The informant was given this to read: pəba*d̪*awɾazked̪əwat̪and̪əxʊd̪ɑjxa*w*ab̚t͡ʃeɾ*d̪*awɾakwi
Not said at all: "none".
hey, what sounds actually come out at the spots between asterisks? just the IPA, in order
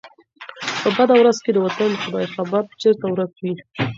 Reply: d̪, b, t̪

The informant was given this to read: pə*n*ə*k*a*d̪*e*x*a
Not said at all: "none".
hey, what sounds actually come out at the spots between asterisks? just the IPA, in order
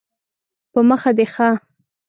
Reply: m, x, d̪, x

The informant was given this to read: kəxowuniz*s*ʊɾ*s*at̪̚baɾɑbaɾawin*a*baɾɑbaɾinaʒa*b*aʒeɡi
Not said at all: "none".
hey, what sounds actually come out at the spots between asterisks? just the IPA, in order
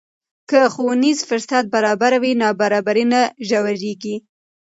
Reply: f, s, ɑ, w

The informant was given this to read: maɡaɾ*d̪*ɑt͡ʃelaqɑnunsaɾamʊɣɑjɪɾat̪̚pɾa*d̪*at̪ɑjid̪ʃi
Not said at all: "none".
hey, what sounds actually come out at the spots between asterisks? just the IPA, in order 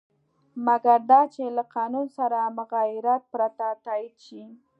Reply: d̪, t̪

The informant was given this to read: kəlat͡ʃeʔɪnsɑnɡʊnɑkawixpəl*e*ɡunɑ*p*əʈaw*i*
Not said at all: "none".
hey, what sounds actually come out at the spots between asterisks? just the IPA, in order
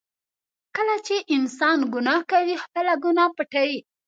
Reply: a, p, i

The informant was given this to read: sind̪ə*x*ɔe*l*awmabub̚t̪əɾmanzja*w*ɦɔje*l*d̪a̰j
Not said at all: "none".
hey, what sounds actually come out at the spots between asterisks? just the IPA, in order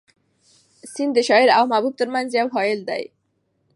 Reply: ʃ, ɾ, w, l

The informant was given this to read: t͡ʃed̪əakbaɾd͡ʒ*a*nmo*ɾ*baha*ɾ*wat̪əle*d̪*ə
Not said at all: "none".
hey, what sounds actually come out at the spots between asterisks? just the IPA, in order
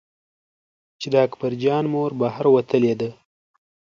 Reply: ɑ, ɾ, ɾ, d̪

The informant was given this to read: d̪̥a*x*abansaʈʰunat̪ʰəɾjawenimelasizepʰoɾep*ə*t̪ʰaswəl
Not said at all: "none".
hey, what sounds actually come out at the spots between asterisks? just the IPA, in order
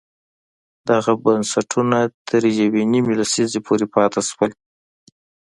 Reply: ɣ, ɑ

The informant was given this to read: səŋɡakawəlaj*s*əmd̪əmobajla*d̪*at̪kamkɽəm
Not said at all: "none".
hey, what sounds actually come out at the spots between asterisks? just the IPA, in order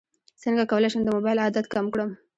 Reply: ʃ, d̪

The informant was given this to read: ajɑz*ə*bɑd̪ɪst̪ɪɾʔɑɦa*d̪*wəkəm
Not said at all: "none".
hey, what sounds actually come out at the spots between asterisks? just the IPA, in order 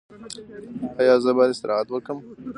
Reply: ə, t̪

